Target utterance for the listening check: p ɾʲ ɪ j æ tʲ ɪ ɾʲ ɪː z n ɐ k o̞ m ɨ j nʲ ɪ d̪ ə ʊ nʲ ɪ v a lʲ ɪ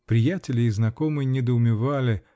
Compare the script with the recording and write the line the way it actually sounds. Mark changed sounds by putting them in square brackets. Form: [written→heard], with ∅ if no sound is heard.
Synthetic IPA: p ɾʲ ɪ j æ tʲ ɪ [ɾʲ→lʲ] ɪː z n ɐ k o̞ m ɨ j nʲ ɪ d̪ ə ʊ [nʲ→mʲ] ɪ v a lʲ ɪ